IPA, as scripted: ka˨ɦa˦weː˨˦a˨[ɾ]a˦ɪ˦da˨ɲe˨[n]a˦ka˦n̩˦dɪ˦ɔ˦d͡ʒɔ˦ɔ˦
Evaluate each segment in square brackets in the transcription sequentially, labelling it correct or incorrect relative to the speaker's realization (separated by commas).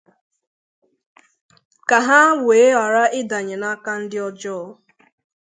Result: correct, correct